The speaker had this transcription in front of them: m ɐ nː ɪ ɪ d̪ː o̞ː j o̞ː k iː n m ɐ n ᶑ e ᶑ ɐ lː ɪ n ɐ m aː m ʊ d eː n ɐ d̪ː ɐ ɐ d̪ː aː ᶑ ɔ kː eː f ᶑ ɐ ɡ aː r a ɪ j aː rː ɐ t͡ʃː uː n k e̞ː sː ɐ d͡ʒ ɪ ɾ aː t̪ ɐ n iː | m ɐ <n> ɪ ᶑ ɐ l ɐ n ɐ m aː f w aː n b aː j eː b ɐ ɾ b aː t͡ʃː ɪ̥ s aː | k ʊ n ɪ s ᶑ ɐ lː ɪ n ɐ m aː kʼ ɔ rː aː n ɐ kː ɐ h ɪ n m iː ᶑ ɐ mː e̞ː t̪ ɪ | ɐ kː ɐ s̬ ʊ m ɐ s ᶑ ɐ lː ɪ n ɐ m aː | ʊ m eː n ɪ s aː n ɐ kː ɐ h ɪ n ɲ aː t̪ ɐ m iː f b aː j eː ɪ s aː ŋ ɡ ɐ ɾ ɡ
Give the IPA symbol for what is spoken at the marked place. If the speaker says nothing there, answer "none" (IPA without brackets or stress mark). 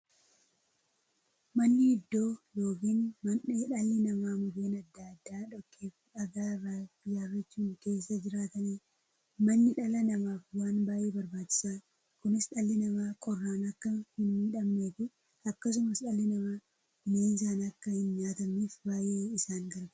nː